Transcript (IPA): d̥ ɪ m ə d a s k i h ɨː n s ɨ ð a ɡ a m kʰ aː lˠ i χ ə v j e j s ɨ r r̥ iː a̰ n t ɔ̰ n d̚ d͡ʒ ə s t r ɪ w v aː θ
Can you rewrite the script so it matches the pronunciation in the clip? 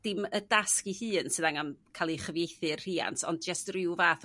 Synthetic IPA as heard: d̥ ɪ m ə d a s k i h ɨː n s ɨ ð a ŋ a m kʰ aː lˠ i χ ə v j e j θ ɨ r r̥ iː a̰ n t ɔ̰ n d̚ d͡ʒ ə s t r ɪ w v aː θ